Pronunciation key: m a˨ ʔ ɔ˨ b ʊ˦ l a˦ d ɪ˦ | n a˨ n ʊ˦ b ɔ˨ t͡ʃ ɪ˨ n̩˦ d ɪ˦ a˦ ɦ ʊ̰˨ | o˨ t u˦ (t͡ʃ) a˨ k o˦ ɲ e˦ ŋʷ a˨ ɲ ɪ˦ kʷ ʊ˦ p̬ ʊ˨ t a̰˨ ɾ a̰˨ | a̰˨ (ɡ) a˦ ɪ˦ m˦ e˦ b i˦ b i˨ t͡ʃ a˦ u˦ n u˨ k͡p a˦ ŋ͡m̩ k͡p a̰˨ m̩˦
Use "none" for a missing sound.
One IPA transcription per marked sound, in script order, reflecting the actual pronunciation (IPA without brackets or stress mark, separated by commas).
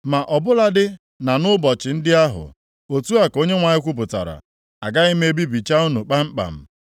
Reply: none, ɡ